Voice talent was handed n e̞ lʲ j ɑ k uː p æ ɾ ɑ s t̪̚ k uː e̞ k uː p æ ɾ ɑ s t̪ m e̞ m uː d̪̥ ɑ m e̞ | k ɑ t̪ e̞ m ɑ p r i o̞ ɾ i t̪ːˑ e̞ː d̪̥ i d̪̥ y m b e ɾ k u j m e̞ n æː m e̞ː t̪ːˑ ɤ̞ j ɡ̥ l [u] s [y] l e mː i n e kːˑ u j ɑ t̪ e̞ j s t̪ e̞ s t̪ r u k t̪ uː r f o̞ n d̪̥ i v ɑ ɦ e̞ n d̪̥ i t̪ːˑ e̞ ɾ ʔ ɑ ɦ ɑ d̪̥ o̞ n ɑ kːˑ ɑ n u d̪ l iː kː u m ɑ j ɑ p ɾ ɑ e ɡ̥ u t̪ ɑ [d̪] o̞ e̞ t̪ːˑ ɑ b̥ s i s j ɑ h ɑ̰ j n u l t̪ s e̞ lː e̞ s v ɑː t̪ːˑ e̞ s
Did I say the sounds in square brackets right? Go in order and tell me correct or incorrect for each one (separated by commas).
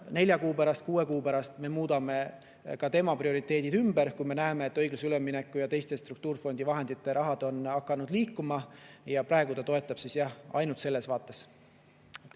correct, correct, incorrect